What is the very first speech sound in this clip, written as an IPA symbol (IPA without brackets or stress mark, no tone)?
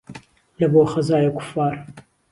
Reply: l